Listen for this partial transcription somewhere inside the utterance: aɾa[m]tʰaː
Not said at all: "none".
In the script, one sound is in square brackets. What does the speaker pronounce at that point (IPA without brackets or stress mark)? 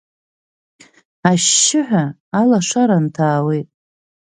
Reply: n